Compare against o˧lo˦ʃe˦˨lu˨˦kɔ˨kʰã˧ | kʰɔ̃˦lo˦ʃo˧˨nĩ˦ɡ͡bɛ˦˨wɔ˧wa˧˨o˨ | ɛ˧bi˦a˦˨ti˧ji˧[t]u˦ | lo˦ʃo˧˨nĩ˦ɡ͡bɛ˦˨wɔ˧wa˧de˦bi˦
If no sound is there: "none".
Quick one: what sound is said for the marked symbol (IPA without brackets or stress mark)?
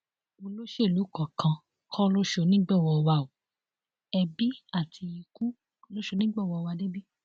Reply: k